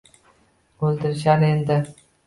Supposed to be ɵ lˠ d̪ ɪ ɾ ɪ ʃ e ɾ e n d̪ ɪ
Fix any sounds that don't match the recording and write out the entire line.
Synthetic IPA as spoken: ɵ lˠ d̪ ɪ ɾ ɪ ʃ a ɾ e n d̪ ɪ